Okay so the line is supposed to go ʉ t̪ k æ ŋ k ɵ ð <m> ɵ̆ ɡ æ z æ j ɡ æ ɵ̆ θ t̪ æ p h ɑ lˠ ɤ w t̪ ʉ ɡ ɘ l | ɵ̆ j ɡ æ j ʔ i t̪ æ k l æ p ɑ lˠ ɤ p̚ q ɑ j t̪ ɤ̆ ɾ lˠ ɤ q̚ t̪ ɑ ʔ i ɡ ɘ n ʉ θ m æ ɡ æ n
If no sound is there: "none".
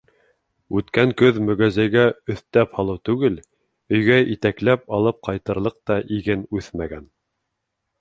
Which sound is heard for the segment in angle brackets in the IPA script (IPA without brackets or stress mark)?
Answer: m